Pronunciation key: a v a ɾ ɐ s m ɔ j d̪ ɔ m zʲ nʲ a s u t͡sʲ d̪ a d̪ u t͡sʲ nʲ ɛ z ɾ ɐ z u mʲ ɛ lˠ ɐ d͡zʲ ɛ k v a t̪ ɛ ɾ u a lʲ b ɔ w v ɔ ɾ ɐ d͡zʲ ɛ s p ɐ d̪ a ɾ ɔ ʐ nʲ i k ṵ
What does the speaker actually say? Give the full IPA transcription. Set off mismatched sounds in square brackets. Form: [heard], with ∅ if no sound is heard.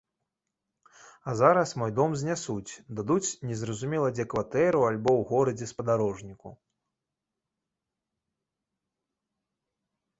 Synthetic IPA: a [z] a ɾ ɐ s m ɔ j d̪ ɔ m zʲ nʲ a s u t͡sʲ d̪ a d̪ u t͡sʲ nʲ ɛ z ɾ ɐ z u mʲ ɛ lˠ ɐ d͡zʲ ɛ k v a t̪ ɛ ɾ u a lʲ b ɔ w [ɣ] ɔ ɾ ɐ d͡zʲ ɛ s p ɐ d̪ a ɾ ɔ ʐ nʲ i k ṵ